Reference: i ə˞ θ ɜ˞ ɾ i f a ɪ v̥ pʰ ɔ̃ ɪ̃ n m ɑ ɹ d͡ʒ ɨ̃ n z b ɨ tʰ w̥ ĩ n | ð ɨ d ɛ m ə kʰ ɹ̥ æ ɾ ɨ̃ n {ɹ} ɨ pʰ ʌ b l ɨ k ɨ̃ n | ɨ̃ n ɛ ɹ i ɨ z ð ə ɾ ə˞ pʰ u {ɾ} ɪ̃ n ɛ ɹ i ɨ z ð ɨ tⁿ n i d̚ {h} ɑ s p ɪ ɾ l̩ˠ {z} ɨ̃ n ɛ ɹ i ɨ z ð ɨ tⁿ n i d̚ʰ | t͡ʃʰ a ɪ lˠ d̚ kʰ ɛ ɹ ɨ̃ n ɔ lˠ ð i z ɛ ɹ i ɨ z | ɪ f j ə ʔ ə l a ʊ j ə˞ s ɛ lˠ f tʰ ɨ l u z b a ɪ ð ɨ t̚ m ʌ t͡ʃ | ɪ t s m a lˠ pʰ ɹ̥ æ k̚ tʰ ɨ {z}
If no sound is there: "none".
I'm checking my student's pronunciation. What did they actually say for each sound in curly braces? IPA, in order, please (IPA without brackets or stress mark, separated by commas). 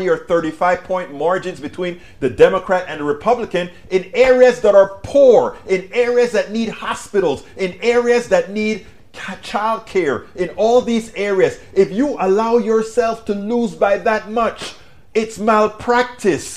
ɹ, ɹ, h, z, s